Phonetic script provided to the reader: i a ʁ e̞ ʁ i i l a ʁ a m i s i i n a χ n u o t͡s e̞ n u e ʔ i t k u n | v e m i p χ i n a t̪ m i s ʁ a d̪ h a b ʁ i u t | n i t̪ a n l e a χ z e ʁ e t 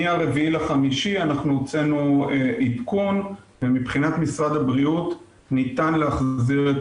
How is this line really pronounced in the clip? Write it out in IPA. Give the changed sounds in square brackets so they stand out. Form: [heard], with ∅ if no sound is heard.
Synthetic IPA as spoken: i a ʁ e̞ [v] i i l a [χ] a m i [ʃ] i [a] n a χ n u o t͡s e̞ n u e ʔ i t k u n | v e m i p χ i n a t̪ m i s ʁ a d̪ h a b ʁ i u t | n i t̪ a n l e a χ z [i] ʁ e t